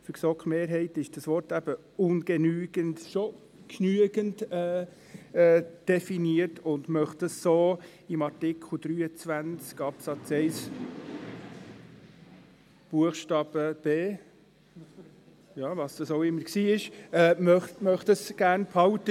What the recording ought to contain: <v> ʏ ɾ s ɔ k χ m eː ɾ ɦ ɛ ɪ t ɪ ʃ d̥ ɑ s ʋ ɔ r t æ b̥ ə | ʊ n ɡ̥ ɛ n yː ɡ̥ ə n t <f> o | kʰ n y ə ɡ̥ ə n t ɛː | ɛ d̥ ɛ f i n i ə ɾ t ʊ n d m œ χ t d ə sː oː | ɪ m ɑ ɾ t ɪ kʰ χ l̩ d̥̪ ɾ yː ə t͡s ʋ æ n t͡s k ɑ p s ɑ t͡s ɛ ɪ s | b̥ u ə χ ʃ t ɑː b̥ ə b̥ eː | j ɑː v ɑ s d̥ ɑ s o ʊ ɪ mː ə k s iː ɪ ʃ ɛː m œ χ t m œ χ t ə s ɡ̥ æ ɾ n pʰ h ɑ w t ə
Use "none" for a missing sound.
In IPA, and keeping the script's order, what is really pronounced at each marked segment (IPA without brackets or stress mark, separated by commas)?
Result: f, ʃ